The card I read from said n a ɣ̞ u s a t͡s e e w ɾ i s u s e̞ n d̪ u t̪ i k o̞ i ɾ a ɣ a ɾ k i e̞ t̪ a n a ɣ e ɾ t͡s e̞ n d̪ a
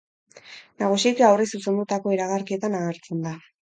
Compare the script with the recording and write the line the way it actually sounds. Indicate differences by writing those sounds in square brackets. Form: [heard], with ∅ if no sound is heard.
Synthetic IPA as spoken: n a ɣ̞ u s [i] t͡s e [a] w [r] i s u s e̞ n d̪ u t̪ [a] k o̞ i ɾ a ɣ a ɾ k i e̞ t̪ a n a ɣ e ɾ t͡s e̞ n d̪ a